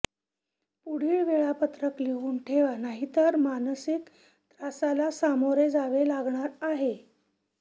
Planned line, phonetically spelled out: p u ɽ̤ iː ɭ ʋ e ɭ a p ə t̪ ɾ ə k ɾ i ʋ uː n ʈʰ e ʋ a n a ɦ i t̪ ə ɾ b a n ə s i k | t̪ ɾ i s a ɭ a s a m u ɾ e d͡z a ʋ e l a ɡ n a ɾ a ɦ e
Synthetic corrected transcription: p u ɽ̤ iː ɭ ʋ e ɭ a p ə t̪ ɾ ə k l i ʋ uː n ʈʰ e ʋ a n a ɦ i t̪ ə ɾ m a n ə s i k | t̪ ɾ a s a l a s a m o ɾ e d͡z a ʋ e l a ɡ ɳ a ɾ a ɦ e